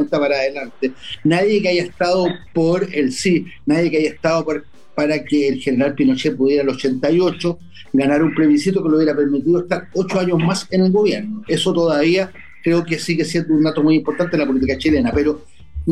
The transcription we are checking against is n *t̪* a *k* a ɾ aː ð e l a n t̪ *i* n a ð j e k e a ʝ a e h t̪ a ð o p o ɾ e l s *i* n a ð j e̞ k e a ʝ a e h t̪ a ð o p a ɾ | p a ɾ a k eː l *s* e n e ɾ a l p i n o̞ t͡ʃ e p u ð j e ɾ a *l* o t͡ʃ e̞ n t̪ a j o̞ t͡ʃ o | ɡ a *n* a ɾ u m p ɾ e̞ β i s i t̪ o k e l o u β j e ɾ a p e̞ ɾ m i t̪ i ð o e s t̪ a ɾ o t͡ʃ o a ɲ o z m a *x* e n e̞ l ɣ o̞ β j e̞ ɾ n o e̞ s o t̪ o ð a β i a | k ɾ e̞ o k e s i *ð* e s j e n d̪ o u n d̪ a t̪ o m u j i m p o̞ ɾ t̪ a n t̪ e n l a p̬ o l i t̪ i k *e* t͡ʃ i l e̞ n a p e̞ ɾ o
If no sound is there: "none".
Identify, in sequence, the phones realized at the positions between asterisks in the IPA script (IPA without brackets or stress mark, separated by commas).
t̪, p, e, i, x, l, n, s, ɣ, a